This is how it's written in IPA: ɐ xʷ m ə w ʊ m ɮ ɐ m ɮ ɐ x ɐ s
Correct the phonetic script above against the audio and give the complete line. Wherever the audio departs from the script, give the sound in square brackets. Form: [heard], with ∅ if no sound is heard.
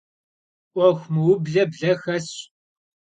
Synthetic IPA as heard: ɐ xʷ m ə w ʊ [b] ɮ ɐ [b] ɮ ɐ x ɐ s